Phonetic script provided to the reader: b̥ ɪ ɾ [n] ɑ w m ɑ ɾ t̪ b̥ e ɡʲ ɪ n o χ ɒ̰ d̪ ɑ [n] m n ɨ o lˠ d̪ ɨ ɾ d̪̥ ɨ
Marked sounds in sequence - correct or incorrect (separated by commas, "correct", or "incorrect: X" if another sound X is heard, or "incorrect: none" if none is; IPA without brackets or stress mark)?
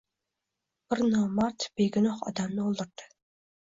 correct, incorrect: none